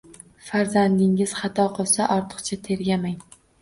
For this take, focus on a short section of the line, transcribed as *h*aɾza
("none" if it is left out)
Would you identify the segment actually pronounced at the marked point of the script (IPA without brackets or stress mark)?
f